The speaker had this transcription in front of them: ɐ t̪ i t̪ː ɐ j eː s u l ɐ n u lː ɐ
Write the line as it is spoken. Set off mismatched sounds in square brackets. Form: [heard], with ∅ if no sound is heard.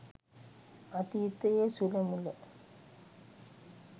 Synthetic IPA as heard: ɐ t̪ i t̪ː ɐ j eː s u l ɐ [m] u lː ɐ